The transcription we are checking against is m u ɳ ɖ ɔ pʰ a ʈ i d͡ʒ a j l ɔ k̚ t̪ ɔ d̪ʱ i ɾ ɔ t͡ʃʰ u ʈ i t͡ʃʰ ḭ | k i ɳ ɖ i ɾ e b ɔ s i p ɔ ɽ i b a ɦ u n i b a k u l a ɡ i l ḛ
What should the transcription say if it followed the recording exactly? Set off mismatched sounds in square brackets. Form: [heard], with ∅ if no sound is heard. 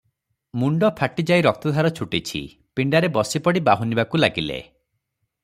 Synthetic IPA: m u ɳ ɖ ɔ pʰ a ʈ i d͡ʒ a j [ɾ] ɔ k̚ t̪ ɔ d̪ʱ [a] ɾ ɔ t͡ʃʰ u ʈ i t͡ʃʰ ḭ | [p] i ɳ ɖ [a] ɾ e b ɔ s i p ɔ ɽ i b a ɦ u n i b a k u l a ɡ i l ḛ